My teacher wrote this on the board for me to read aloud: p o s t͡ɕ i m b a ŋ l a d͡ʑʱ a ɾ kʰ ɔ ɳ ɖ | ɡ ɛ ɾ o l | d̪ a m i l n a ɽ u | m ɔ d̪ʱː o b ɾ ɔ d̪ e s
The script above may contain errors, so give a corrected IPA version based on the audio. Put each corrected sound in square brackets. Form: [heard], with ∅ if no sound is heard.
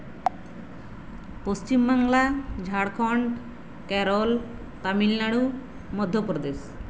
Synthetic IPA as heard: p o s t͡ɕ i m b a ŋ l a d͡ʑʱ a [ɽ] kʰ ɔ ɳ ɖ | [k] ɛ ɾ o l | [t̪] a m i l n a ɽ u | m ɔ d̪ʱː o [p] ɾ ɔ d̪ e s

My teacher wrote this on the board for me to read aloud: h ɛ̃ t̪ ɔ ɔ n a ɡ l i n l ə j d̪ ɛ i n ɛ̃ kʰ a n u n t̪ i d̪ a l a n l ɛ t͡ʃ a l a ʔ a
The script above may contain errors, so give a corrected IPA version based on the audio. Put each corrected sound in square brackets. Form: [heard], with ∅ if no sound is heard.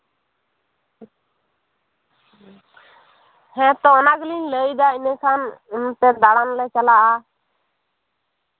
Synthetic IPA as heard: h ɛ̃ t̪ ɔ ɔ n a ɡ l i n l ə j d̪ [a] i n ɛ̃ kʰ a n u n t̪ [ɛ] d̪ a [ɽ] a n l ɛ t͡ʃ a l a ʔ a

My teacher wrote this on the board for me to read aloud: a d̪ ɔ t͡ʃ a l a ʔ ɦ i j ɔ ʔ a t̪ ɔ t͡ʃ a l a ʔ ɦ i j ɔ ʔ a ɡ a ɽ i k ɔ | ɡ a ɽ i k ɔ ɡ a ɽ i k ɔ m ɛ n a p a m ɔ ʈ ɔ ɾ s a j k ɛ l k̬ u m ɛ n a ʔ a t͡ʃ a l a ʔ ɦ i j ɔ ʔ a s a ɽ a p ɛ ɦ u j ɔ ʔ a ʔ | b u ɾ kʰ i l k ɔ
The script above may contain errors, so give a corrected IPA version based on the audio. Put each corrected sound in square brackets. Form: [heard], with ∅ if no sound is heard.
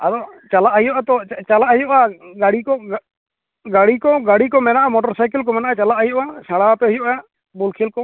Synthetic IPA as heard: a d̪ ɔ t͡ʃ a l a ʔ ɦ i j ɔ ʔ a t̪ ɔ t͡ʃ a l a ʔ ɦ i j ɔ ʔ a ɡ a ɽ i k ɔ | ɡ a ɽ i k ɔ ɡ a ɽ i k ɔ m ɛ n a [ʔ] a m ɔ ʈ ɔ ɾ s a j k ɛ l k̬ [ɔ] m ɛ n a ʔ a t͡ʃ a l a ʔ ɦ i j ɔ ʔ a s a ɽ a p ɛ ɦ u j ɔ ʔ a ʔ | b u [l] kʰ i l k ɔ

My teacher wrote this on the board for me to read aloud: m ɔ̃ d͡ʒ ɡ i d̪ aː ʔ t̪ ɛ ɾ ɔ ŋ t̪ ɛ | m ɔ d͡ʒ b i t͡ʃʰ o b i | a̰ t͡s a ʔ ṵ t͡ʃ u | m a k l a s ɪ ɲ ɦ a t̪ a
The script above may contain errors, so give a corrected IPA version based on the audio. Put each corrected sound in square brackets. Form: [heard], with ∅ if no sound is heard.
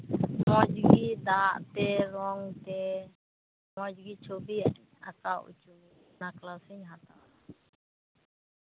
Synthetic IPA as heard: m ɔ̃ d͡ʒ ɡ i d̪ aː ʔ t̪ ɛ ɾ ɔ ŋ t̪ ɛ | m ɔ d͡ʒ [ɡ] i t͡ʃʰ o b i | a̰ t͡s a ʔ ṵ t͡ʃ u | [n] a k l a s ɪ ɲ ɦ a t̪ a

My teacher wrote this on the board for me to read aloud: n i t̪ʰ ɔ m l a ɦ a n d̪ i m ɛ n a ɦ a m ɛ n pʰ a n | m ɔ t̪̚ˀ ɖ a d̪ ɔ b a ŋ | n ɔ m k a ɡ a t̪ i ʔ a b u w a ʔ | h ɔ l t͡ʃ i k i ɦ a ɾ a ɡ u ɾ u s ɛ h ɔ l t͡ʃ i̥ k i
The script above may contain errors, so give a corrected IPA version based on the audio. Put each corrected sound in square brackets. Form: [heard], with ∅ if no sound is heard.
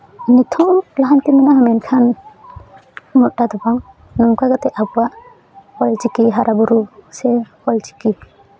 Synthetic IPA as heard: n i t̪ʰ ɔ m l a ɦ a n [t̪] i m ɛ n a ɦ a m ɛ n [kʰ] a n | m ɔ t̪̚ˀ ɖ a d̪ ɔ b a ŋ | n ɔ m k a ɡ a t̪ [ɛ] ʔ a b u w a ʔ | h ɔ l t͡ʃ i k i ɦ a ɾ a [b] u ɾ u s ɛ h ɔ l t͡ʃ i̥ k i

